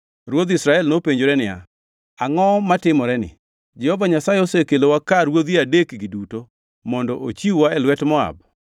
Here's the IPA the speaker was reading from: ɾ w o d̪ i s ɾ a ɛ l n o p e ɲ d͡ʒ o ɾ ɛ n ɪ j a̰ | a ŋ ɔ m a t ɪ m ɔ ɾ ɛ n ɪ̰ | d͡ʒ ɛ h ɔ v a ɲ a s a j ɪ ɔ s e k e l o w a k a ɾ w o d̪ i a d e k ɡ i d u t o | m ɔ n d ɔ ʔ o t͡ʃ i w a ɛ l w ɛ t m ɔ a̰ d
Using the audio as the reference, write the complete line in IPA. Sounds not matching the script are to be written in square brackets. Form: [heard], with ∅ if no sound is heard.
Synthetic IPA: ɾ w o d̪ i s ɾ a ɛ l n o p e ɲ d͡ʒ o ɾ ɛ n ɪ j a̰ | a ŋ ɔ m a t ɪ m ɔ ɾ ɛ n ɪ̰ | d͡ʒ ɛ h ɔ v a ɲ a s a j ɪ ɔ s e k e l o w a k a ɾ w o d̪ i a d e k ɡ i d u t o | m ɔ n d ɔ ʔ o t͡ʃ i w a ɛ l w ɛ t m ɔ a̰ [b]